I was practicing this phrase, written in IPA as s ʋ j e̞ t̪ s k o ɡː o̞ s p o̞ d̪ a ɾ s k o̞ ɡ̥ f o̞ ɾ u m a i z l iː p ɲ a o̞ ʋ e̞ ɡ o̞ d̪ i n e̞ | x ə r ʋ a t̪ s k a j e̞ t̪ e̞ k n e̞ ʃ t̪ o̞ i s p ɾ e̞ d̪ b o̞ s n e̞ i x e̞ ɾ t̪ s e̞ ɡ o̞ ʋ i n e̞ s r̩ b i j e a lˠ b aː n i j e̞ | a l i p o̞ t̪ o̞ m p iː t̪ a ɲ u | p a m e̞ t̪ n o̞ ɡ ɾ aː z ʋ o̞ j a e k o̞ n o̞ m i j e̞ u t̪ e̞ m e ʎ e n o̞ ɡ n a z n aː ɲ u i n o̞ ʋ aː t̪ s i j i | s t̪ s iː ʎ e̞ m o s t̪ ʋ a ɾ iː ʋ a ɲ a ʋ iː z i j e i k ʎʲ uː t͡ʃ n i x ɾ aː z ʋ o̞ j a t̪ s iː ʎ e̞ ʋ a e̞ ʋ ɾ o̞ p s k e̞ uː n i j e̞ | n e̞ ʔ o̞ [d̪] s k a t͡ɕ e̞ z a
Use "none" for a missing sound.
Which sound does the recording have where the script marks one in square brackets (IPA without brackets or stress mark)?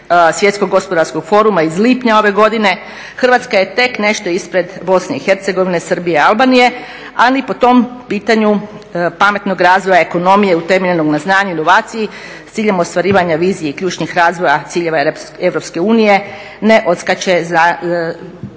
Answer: t̪